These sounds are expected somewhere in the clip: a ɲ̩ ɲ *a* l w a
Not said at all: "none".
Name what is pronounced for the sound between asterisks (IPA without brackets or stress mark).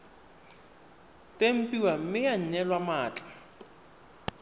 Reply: ɛ